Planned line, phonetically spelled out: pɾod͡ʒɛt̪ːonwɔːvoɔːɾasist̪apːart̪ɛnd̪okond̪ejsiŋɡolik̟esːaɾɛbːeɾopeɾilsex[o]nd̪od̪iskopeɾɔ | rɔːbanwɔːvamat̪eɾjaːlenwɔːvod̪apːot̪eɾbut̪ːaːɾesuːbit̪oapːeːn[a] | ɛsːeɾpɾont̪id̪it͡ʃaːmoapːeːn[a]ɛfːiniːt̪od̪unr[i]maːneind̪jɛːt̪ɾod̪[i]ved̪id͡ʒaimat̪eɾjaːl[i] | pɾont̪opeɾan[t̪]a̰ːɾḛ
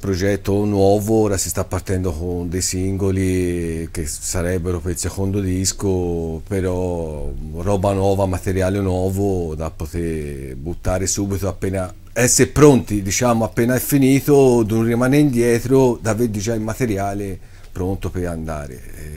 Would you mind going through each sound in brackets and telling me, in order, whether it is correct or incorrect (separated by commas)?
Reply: correct, correct, correct, correct, incorrect, incorrect, incorrect